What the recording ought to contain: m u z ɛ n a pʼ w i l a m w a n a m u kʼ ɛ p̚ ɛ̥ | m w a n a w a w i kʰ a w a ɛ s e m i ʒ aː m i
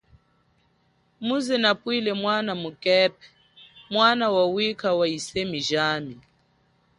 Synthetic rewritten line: m u z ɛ n a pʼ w i l ɛ m w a n a m u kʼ ɛ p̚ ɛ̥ | m w a n a w a w i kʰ a w a i s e m i ʒ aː m i

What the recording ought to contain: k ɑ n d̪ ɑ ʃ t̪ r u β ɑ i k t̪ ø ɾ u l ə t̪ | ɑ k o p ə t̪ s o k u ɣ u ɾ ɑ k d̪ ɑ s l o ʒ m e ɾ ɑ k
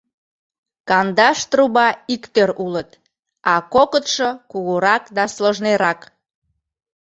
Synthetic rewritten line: k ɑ n d̪ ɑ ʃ t̪ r u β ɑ i k t̪ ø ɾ u l ə t̪ | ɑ k o k ə t̪ ʃ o k u ɣ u ɾ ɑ k d̪ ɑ s l o ʒ n e ɾ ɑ k

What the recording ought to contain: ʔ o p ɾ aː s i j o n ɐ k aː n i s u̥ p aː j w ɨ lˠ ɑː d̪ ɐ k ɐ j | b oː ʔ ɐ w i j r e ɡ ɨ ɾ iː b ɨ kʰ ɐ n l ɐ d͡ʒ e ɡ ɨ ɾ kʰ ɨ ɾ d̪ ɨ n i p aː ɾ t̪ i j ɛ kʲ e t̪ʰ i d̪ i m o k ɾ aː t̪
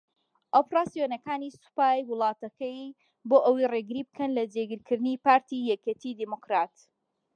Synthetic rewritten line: ʔ o p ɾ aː s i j o n ɐ k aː n i s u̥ p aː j w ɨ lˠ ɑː t̪ ɐ k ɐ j | b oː ʔ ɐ w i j r e ɡ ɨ ɾ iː b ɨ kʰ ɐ n l ɐ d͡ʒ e ɡ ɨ ɾ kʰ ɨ ɾ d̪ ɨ n i p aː ɾ t̪ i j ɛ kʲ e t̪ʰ i d̪ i m o k ɾ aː t̪

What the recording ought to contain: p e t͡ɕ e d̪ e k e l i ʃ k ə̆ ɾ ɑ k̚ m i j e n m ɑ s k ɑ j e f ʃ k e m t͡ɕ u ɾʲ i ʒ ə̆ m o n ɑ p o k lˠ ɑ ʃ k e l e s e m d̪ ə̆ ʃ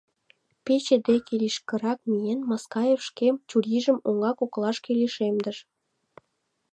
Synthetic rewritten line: p e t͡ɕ e d̪ e k e l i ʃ k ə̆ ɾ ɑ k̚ m i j e n m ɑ s k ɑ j e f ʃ k e m t͡ɕ u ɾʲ i ʒ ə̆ m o ŋ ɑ k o k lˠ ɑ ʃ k e l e ʃ e m d̪ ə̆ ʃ

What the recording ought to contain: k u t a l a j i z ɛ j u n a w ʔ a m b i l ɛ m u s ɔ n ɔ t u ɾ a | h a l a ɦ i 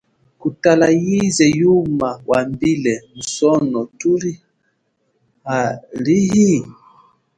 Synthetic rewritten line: k u t a l a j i z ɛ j u m a w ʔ a m b i l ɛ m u s ɔ n ɔ t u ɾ i | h a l i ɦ i

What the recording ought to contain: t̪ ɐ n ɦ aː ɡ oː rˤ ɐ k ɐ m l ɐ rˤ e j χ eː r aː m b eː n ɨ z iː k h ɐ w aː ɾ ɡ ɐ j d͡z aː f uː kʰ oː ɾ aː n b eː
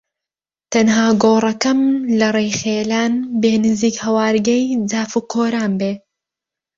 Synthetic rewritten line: t̪ ɐ n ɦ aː ɡ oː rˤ ɐ k ɐ m l ɐ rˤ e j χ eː l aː n b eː n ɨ z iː k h ɐ w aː ɾ ɡ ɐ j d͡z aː f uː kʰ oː ɾ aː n b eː

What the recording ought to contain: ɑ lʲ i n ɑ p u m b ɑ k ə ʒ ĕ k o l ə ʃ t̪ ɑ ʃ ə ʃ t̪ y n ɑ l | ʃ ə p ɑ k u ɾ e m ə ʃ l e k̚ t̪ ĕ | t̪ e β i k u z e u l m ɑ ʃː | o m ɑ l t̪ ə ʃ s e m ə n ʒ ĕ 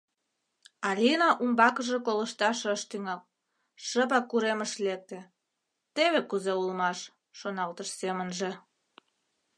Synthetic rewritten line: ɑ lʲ i n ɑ ʔ u m b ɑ k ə ʒ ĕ k o l ə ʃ t̪ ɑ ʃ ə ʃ t̪ y ŋ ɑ l | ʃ ə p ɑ k u ɾ e m ə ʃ l e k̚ t̪ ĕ | t̪ e β e k u z e u l m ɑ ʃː | o n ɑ l t̪ ə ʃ s e m ə n ʒ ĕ

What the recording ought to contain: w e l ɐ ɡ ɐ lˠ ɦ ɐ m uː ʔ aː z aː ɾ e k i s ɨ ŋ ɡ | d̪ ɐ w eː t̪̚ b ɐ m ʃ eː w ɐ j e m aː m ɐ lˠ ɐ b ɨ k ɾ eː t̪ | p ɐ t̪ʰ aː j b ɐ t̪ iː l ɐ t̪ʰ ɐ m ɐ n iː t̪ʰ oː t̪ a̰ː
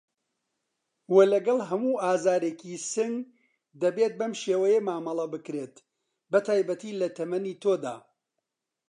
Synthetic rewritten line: w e l ɐ ɡ ɐ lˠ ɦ ɐ m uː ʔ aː z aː ɾ e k i s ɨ ŋ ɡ | d̪ ɐ b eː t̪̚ b ɐ m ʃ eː w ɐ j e m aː m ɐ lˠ ɐ b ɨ k ɾ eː t̪ | b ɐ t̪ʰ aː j b ɐ t̪ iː l ɐ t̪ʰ ɐ m ɐ n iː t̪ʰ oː d̪ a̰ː

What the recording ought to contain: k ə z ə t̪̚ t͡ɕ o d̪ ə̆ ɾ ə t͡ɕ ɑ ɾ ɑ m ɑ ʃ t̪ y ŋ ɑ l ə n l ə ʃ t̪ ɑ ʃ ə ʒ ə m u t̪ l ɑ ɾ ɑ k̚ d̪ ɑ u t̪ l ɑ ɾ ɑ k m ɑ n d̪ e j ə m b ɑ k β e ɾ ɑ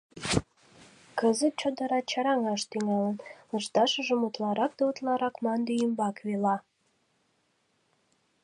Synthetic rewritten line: k ə z ə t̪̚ t͡ɕ o d̪ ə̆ ɾ ɑ t͡ɕ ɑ ɾ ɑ ŋ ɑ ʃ t̪ y ŋ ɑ l ə n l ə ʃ t̪ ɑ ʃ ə ʒ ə m u t̪ l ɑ ɾ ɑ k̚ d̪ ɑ u t̪ l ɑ ɾ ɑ k m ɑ n d̪ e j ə m b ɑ k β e l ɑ

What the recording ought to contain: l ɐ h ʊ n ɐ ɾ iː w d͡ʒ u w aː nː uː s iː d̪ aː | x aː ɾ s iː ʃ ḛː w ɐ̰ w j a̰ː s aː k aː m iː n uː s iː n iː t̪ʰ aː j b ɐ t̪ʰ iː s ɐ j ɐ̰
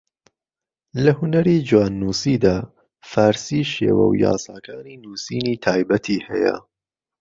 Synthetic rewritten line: l ɐ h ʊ n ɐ ɾ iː d͡ʒ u w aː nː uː s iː d̪ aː | f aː ɾ s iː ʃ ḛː w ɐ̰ w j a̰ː s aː k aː n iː n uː s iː n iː t̪ʰ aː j b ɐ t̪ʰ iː h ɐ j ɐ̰

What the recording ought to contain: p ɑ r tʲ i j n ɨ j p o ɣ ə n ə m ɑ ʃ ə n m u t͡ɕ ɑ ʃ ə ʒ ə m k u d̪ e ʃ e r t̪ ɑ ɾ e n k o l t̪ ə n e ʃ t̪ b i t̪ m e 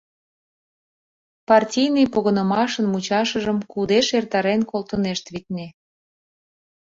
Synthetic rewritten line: p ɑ r tʲ i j n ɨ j p o ɣ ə n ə m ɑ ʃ ə n m u t͡ɕ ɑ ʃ ə ʒ ə m k u d̪ e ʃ e r t̪ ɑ ɾ e n k o l t̪ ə n e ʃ t̪ β i t̪ n e

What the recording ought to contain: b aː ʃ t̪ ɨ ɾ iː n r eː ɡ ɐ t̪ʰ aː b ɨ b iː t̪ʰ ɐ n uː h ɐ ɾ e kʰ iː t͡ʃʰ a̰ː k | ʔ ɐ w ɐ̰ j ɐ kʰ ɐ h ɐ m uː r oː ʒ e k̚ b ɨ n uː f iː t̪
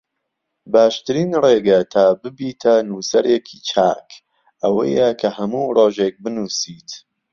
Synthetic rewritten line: b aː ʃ t̪ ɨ ɾ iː n r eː ɡ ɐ t̪ʰ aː b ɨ b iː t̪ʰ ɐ n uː s ɐ ɾ e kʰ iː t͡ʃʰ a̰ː k | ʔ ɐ w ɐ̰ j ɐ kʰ ɐ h ɐ m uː r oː ʒ e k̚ b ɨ n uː s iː t̪

